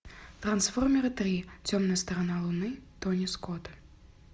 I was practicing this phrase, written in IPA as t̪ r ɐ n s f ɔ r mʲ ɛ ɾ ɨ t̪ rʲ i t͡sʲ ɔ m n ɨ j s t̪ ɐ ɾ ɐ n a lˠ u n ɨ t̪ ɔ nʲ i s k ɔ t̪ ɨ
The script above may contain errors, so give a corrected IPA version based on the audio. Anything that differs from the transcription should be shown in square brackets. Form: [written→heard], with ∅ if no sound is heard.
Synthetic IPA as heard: t̪ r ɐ n s f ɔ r mʲ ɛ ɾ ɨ t̪ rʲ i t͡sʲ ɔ m n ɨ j s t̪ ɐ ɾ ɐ n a lˠ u n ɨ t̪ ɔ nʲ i s k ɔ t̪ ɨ